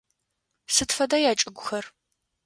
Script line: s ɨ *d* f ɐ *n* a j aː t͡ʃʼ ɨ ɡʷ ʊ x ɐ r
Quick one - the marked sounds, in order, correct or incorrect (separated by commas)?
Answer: incorrect, incorrect